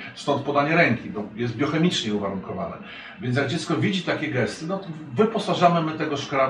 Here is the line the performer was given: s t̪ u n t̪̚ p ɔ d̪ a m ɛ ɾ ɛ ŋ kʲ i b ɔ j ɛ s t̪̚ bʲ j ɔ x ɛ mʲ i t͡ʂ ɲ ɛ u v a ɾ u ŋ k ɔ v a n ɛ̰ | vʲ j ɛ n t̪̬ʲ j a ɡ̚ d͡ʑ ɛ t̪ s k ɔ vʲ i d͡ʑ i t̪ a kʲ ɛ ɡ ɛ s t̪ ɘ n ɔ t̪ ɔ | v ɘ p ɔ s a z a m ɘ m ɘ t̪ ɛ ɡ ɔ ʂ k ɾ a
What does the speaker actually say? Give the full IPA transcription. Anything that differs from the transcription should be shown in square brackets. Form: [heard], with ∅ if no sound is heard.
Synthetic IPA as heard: s t̪ [ɔ] n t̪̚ p ɔ d̪ a [ɲ] ɛ ɾ ɛ ŋ kʲ i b ɔ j ɛ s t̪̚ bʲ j ɔ x ɛ mʲ i t͡ʂ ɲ ɛ u v a ɾ u ŋ k ɔ v a n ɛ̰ | vʲ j ɛ n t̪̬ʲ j a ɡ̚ d͡ʑ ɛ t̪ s k ɔ vʲ i d͡ʑ i t̪ a kʲ ɛ ɡ ɛ s t̪ ɘ n ɔ t̪ ɔ | v ɘ p ɔ s a [ʐ] a m ɘ m ɘ t̪ ɛ ɡ ɔ ʂ k ɾ a